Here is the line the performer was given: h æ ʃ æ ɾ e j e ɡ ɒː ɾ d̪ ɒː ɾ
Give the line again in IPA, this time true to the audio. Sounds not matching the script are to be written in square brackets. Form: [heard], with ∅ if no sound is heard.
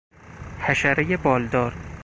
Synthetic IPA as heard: h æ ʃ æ ɾ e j e [b] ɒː [l] d̪ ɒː ɾ